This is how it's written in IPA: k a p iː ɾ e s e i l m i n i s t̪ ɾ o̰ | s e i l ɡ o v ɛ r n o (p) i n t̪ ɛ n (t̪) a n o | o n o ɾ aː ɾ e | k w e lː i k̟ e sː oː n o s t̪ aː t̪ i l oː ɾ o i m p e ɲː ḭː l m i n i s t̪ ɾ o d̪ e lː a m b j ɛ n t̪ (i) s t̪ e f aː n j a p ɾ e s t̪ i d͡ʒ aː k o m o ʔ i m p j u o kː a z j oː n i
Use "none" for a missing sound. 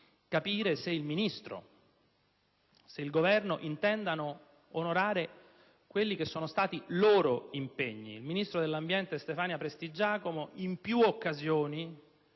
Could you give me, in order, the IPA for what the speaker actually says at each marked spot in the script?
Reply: ʔ, d̪, e

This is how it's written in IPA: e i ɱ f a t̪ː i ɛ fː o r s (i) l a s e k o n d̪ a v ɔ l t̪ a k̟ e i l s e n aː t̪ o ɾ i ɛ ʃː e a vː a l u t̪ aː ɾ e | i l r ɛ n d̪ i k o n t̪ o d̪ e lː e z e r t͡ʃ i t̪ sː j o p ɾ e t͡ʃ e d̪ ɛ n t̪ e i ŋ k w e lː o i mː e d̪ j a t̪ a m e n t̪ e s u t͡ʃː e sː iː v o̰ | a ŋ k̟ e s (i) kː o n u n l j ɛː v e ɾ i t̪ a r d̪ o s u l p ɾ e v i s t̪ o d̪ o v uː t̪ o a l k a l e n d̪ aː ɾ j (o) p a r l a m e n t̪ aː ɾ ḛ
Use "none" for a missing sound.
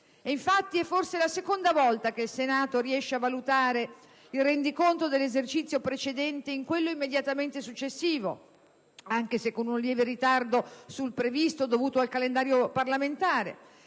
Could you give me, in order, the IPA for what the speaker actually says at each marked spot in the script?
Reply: e, e, o

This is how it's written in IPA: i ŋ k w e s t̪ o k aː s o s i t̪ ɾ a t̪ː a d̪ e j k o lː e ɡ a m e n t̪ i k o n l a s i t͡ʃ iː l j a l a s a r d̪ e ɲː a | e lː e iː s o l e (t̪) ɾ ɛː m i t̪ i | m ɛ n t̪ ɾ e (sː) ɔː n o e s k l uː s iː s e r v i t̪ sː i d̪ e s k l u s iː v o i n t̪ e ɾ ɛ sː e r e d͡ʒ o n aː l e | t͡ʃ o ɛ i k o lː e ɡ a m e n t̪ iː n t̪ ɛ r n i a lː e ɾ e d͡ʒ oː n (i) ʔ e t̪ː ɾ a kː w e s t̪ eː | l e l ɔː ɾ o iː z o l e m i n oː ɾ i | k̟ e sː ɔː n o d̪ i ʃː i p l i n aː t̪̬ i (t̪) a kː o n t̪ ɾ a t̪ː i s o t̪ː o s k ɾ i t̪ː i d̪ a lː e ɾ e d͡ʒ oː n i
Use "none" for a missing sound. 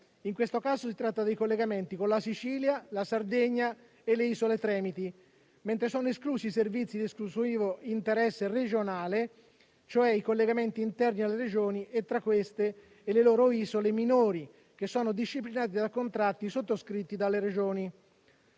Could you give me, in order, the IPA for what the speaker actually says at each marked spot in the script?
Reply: t̪, s, i, d̪

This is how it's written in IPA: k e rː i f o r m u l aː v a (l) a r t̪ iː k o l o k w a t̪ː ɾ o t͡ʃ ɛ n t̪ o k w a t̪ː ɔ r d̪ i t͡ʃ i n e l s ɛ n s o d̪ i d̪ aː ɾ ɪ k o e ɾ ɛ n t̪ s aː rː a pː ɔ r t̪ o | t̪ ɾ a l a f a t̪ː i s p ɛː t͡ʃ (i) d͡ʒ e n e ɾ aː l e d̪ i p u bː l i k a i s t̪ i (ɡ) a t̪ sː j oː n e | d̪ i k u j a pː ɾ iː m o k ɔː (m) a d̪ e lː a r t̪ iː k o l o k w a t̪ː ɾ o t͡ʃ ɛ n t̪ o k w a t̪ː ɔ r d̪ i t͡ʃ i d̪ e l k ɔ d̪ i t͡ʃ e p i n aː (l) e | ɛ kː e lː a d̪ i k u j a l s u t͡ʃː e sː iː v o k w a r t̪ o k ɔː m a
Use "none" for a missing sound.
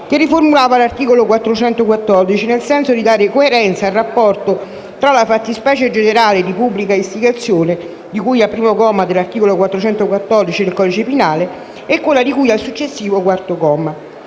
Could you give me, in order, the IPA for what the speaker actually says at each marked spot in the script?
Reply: l, e, ɡ, m, l

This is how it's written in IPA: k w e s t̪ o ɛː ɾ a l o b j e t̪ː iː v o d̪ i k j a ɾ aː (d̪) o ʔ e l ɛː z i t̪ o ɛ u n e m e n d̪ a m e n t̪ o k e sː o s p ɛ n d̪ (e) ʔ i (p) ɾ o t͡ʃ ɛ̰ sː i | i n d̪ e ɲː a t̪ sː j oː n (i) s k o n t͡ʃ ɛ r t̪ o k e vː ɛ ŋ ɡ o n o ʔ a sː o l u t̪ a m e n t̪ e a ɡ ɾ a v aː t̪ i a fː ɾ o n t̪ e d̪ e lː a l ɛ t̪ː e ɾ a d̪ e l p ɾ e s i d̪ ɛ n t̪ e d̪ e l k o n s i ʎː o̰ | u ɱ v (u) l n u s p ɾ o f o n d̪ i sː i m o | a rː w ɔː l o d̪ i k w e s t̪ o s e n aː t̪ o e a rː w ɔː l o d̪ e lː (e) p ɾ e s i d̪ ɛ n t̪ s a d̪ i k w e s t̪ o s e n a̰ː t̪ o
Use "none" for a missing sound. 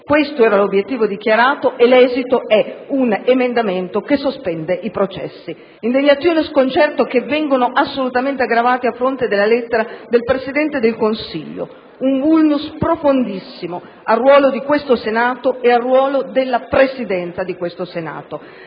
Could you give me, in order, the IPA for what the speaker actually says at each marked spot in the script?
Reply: t̪, e, p, e, u, a

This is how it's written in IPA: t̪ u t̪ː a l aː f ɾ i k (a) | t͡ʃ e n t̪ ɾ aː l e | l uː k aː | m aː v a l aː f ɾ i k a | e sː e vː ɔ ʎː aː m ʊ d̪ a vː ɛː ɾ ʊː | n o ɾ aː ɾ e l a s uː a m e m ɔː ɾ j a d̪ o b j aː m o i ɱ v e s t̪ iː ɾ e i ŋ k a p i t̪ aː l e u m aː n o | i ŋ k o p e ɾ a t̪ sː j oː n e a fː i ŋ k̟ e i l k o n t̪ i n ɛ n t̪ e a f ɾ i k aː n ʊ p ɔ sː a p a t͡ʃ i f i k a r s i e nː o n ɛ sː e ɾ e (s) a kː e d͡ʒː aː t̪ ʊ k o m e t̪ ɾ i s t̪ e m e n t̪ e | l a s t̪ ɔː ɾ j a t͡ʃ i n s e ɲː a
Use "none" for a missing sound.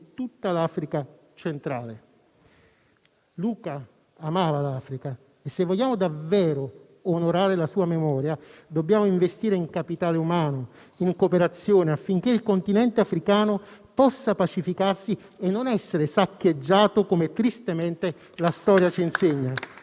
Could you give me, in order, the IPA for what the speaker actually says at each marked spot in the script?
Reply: a, s

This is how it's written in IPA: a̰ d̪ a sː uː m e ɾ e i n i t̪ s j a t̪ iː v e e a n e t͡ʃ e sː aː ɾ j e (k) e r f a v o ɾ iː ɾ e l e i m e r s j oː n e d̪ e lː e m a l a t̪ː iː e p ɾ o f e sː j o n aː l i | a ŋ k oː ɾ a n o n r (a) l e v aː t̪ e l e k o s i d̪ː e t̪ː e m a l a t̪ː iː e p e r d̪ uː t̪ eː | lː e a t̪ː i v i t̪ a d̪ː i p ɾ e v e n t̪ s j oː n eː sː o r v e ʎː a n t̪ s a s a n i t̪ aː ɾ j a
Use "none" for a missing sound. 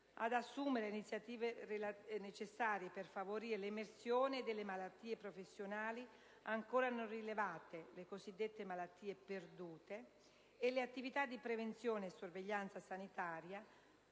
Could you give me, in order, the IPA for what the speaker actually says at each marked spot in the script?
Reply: p, i

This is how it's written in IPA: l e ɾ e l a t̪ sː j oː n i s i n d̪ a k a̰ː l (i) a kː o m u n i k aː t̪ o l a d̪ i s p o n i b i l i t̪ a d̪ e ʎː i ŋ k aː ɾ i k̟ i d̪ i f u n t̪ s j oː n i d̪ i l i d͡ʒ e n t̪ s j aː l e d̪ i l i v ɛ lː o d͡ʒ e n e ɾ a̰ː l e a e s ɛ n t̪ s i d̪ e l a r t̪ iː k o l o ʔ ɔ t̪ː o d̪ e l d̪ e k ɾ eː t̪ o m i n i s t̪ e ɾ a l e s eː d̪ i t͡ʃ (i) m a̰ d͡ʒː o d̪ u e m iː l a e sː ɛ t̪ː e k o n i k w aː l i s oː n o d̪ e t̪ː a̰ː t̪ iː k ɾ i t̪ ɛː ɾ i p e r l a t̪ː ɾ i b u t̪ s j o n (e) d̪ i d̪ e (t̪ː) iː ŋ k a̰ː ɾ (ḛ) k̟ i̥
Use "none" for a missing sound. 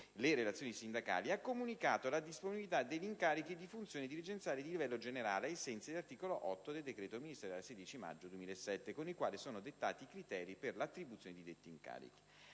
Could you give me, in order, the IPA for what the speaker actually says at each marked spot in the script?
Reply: i, i, e, t̪ː, ḭ

